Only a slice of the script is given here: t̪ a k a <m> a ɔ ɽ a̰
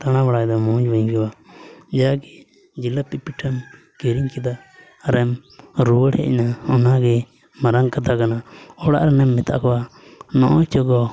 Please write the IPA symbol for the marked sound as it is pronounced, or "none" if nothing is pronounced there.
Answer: n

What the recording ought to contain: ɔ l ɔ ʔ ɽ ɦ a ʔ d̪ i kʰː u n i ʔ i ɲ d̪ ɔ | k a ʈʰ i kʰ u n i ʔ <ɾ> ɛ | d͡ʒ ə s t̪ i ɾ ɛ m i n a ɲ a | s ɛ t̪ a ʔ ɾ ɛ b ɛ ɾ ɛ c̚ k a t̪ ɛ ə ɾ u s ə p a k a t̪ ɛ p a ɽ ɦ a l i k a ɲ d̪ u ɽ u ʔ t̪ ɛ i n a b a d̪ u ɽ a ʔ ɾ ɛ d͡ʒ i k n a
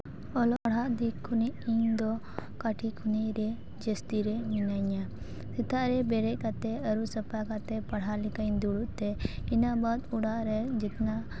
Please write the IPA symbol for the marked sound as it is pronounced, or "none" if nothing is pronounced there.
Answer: ɾ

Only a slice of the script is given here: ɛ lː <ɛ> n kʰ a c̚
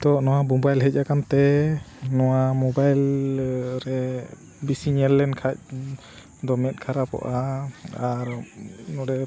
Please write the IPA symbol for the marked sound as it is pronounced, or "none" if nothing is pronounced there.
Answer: ɛ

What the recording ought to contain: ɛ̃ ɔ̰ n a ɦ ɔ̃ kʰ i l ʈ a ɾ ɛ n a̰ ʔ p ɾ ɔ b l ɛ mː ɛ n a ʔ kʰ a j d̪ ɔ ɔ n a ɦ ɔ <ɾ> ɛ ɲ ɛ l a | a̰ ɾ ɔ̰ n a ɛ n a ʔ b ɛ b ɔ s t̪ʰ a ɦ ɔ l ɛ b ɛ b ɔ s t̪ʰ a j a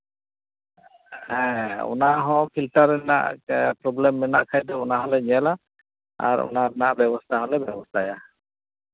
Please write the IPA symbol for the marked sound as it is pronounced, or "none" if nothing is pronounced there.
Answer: l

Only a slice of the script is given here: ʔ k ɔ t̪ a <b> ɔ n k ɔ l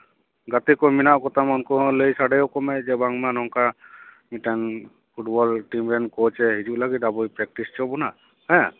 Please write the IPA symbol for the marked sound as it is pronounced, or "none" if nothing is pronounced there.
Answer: m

